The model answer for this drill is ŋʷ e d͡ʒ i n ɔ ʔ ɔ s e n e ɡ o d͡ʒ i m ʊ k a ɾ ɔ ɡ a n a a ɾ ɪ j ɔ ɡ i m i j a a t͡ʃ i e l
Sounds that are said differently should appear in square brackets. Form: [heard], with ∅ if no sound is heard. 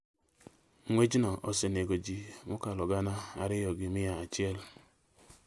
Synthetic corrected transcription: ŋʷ e d͡ʒ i n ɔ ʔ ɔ s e n e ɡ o d͡ʒ i m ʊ k a [l] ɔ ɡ a n a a ɾ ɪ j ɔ ɡ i m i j a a t͡ʃ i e l